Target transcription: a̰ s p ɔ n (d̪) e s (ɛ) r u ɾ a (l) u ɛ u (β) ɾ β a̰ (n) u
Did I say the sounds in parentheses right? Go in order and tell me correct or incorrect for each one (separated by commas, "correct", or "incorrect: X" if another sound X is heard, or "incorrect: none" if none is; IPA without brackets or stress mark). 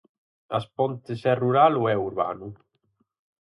incorrect: t̪, correct, correct, incorrect: none, correct